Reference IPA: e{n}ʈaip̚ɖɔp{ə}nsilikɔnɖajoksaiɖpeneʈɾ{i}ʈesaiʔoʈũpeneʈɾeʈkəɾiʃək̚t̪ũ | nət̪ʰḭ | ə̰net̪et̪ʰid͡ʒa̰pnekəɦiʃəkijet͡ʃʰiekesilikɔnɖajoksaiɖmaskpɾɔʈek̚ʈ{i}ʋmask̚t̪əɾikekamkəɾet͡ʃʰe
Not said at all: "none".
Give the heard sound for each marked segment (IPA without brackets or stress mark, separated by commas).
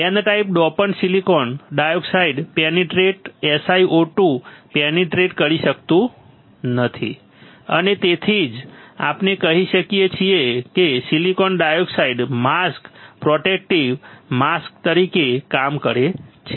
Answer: n, ə, e, i